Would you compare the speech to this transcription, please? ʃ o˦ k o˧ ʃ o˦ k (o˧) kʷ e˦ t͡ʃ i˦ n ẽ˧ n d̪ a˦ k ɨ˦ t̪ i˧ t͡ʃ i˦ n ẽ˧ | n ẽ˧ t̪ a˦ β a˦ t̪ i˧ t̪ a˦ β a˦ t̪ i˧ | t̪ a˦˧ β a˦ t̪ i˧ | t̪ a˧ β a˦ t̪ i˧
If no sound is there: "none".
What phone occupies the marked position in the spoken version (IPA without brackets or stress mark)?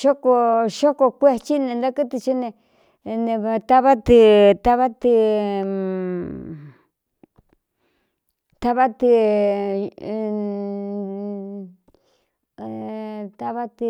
o˧